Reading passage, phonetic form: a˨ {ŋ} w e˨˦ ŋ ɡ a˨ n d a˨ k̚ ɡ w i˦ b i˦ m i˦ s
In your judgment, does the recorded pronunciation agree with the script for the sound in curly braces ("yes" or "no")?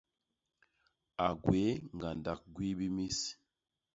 no